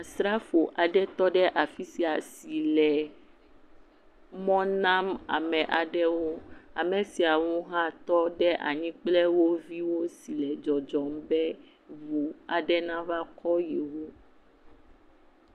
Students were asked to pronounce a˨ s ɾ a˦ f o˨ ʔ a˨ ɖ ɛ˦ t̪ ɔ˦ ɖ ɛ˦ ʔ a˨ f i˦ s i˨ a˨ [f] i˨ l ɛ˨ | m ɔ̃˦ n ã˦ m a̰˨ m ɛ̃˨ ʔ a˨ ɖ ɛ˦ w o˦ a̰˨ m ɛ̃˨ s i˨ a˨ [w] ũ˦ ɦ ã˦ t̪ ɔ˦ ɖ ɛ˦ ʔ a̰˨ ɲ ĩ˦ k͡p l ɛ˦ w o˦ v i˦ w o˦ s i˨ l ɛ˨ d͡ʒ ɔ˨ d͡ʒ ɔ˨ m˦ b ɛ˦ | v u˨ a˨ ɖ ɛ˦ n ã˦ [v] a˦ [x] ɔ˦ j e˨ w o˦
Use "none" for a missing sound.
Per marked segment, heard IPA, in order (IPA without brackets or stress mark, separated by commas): s, w, v, k